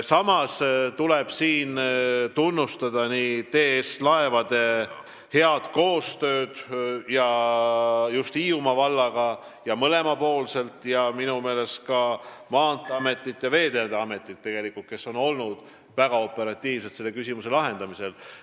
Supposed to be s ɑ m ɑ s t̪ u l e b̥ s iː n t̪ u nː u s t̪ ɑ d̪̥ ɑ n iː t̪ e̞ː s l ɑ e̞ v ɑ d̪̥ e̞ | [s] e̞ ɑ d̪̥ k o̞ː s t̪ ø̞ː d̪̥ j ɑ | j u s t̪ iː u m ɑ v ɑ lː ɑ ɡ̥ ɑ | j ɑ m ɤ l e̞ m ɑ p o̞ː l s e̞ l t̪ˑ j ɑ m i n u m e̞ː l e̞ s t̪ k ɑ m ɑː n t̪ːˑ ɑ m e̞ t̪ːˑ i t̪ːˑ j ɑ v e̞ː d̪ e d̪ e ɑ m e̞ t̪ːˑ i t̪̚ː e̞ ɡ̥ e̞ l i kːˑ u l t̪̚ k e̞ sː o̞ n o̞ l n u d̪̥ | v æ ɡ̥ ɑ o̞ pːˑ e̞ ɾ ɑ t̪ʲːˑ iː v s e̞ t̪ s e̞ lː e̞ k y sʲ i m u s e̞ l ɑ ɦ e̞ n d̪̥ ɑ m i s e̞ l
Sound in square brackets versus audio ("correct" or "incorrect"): incorrect